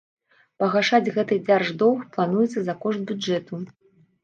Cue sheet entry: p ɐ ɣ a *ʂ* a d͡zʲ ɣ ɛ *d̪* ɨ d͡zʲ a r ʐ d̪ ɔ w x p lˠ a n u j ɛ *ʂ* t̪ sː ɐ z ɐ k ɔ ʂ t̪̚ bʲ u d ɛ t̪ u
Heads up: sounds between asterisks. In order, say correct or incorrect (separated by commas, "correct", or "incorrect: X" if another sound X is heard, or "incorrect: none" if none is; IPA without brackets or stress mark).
correct, incorrect: t̪, incorrect: none